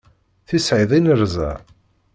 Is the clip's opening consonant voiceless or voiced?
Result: voiceless